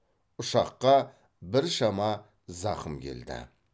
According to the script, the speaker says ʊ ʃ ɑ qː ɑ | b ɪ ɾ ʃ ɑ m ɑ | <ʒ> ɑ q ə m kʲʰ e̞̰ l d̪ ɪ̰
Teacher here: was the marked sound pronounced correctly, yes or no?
no